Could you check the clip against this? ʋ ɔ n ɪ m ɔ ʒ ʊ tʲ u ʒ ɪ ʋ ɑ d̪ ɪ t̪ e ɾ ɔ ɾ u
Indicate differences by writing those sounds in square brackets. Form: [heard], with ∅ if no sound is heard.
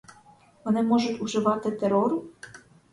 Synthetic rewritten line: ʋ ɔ n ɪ m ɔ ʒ ʊ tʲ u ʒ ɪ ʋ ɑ [t̪] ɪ t̪ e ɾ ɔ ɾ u

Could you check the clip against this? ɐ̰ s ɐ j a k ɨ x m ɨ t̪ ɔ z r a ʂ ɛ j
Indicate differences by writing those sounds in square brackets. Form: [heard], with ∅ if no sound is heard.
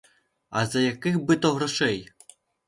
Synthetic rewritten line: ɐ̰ [z] ɐ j a k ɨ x [b] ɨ t̪ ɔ [ɣ] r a ʂ ɛ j

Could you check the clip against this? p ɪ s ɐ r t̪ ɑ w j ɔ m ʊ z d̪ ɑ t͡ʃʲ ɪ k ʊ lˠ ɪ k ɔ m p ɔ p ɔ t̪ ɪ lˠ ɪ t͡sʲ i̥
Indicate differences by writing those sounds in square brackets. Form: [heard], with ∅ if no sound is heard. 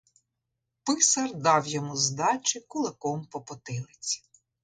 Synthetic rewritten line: p ɪ s ɐ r [d̪] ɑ w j ɔ m [u] z d̪ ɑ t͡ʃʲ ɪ k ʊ lˠ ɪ k ɔ m p ɔ p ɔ t̪ ɪ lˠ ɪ t͡sʲ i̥

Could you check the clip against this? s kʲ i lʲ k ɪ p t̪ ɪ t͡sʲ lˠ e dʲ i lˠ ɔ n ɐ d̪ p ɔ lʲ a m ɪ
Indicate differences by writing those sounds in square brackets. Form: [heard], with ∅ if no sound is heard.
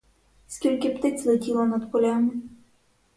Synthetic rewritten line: s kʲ i lʲ k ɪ p t̪ ɪ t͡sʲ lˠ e [tʲ] i lˠ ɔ n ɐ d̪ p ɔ lʲ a m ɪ

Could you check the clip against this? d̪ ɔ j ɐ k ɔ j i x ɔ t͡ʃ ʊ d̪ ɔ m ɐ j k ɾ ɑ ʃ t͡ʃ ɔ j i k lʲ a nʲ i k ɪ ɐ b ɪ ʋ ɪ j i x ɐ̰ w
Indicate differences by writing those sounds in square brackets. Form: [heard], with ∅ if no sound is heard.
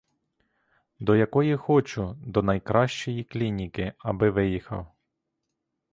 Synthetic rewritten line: d̪ ɔ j ɐ k ɔ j i x ɔ t͡ʃ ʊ d̪ ɔ [n] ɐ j k ɾ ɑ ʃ t͡ʃ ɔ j i k lʲ [i] nʲ i k ɪ ɐ b ɪ ʋ ɪ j i x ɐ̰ w

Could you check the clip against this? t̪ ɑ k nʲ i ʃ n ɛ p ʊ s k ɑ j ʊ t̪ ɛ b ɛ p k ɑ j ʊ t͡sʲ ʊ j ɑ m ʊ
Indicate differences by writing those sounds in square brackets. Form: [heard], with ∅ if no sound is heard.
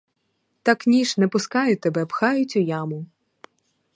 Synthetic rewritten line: t̪ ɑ k nʲ i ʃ n ɛ p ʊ s k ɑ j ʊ t̪ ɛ b ɛ p [x] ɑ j ʊ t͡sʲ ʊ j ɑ m ʊ

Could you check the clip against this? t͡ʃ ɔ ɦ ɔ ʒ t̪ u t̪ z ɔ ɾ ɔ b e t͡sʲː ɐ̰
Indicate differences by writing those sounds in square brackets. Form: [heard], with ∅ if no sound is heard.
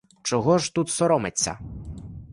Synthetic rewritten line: t͡ʃ ɔ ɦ ɔ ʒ t̪ u t̪ [s] ɔ ɾ ɔ [m] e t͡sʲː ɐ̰

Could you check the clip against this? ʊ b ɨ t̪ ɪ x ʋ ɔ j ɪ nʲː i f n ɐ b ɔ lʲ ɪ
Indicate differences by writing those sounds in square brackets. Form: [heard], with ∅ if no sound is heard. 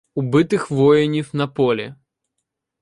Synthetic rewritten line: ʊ b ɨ t̪ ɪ x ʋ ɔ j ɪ [nʲ] i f n ɐ [p] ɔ lʲ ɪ

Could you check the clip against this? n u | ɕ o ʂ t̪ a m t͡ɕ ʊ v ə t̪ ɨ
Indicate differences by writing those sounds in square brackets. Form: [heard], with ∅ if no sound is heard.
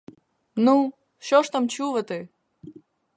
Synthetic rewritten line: n u | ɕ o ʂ t̪ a m t͡ɕ [u] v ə t̪ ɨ

